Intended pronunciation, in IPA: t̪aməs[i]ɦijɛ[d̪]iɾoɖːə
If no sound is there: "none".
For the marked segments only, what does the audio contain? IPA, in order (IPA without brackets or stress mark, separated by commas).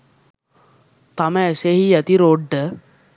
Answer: e, t̪